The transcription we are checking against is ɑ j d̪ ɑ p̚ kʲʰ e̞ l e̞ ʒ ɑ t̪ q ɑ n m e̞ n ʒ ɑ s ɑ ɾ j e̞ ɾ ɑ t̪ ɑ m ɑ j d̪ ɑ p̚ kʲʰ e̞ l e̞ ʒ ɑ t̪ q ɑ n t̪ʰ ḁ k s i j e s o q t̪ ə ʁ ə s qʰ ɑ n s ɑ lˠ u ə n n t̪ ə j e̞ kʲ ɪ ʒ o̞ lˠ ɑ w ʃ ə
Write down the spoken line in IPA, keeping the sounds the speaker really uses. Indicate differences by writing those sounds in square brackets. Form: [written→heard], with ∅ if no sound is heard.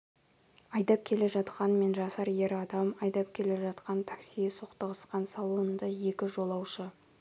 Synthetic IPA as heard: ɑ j d̪ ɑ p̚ kʲʰ e̞ l e̞ ʒ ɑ t̪ q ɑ n m e̞ n ʒ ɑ s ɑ ɾ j e̞ ɾ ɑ [t̪→d̪] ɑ m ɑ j d̪ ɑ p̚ kʲʰ e̞ l e̞ ʒ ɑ t̪ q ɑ n t̪ʰ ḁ k s i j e s o q t̪ ə ʁ ə s [qʰ→q] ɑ n s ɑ lˠ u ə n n [t̪→d̪] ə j e̞ kʲ ɪ ʒ o̞ lˠ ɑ w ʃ ə